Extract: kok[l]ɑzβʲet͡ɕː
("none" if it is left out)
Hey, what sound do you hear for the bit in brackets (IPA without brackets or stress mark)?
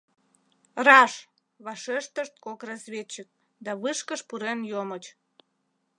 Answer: r